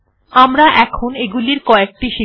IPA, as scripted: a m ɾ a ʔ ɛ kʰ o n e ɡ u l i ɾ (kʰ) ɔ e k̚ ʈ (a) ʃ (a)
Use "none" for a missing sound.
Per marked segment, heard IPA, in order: k, i, i

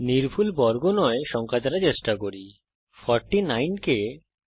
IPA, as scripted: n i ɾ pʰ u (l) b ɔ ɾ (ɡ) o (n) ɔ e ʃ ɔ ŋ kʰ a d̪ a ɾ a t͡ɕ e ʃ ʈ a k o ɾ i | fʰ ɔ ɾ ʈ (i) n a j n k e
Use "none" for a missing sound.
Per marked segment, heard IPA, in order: l, ɡ, n, i

